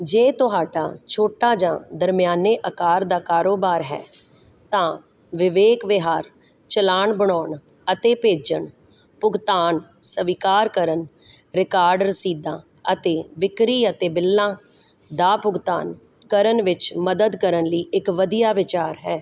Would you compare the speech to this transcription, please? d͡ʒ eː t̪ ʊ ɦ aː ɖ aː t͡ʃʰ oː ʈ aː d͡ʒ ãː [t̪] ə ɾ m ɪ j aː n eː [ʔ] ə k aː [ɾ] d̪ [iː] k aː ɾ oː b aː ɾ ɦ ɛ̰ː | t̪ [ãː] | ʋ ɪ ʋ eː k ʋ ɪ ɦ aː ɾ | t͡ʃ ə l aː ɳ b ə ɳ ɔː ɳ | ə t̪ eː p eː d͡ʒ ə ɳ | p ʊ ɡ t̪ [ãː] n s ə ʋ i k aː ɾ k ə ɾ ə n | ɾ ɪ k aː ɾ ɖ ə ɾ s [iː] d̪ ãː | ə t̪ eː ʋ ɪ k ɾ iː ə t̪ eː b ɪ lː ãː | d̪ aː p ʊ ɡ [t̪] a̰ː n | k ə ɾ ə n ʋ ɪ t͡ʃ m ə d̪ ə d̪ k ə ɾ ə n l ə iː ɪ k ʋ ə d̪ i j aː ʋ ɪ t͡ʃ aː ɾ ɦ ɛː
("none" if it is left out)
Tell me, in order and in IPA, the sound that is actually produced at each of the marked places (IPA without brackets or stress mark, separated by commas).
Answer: d̪, ʔ, ɾ, aː, ãː, aː, iː, t̪